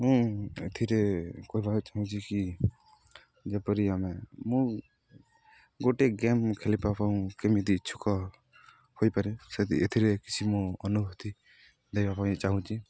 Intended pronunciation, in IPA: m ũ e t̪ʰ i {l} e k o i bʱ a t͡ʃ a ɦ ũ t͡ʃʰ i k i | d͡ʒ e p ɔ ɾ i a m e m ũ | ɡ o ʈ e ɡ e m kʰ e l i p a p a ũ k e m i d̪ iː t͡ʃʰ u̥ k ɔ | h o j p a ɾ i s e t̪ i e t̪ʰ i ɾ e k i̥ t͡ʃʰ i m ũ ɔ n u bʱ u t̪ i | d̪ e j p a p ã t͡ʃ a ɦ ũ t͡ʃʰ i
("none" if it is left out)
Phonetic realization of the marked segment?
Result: ɾ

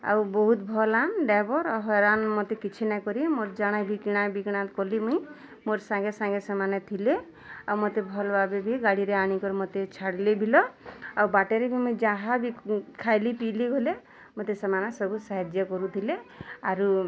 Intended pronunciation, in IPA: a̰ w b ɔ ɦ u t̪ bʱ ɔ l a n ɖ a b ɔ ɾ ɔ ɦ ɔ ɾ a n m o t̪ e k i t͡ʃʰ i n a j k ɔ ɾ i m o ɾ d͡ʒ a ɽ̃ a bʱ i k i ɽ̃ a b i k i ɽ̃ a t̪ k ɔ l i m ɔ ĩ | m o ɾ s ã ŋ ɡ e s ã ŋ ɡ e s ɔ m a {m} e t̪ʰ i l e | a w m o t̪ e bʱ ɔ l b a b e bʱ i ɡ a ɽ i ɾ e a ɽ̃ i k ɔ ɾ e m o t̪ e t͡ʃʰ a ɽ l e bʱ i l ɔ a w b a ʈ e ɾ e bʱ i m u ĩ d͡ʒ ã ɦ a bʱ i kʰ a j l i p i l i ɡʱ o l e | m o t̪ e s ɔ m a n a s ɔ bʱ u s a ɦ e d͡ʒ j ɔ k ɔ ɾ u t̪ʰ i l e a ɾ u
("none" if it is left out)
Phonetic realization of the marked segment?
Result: n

